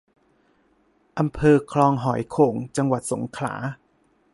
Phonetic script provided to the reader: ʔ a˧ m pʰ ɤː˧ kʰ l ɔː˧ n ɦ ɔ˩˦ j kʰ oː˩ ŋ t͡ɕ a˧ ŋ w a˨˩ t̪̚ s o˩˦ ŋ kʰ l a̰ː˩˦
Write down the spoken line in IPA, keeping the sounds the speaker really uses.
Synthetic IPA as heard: ʔ a˧ m pʰ ɤː˧ kʰ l ɔː˧ ŋ ɦ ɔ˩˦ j kʰ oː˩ ŋ t͡ɕ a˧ ŋ w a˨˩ t̪̚ s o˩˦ ŋ kʰ l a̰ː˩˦